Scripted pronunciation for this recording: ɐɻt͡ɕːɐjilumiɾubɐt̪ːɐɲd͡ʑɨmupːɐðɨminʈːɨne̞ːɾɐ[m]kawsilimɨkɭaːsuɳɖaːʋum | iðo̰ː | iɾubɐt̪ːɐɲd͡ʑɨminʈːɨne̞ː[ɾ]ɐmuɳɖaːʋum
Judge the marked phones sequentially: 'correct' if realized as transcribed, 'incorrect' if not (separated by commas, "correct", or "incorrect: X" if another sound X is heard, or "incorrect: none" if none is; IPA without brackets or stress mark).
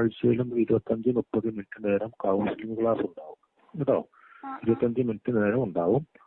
correct, correct